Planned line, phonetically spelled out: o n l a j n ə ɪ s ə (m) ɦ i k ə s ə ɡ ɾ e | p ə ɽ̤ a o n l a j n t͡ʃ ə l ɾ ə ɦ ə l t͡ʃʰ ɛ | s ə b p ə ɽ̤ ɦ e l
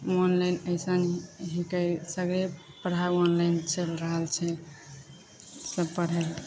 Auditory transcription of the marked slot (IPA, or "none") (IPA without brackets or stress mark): n